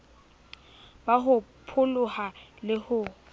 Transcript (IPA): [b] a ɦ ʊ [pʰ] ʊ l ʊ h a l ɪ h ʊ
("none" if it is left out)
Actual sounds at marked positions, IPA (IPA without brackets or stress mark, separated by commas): b, pʰ